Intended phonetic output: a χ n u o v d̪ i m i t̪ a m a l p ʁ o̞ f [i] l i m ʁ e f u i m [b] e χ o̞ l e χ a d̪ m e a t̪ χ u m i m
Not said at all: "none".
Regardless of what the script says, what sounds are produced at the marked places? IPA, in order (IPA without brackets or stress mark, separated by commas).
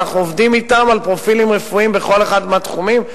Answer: i, b